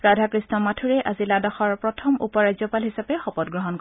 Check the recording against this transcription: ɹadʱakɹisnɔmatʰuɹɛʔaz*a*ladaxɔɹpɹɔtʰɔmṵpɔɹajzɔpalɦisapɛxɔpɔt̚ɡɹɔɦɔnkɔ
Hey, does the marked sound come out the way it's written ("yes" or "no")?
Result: no